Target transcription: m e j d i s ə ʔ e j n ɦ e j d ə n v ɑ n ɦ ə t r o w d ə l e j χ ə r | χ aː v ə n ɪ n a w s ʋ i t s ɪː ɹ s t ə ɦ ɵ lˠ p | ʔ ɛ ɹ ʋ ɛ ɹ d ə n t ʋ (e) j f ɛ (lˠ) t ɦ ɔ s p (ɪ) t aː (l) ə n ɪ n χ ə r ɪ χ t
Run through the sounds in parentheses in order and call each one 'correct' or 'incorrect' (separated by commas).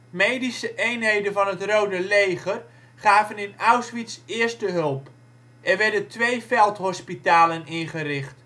correct, correct, incorrect, correct